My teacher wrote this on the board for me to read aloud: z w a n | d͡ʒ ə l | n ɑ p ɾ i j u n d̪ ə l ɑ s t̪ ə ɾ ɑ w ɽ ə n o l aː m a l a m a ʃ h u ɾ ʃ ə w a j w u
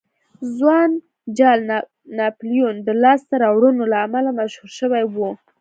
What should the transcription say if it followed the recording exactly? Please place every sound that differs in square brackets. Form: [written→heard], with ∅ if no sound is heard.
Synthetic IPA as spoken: z w [a→ɑ] n | d͡ʒ [ə→ɑ] l | n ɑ p [ɾ→l] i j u n d̪ ə l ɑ s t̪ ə ɾ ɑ w ɽ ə n o l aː m a l a m a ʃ h u ɾ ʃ ə w a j w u